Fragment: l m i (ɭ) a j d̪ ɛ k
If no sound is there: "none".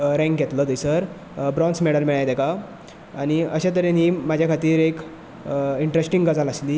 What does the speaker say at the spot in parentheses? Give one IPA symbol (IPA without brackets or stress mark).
ɭ